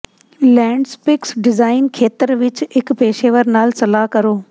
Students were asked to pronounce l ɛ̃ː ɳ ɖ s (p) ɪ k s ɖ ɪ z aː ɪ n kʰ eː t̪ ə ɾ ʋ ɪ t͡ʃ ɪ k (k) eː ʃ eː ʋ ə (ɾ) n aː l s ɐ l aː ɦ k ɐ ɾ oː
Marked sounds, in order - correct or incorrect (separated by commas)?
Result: correct, incorrect, correct